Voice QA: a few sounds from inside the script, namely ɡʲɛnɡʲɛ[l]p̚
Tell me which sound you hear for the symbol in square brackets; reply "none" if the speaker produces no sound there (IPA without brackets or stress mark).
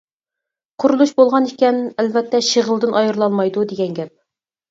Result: none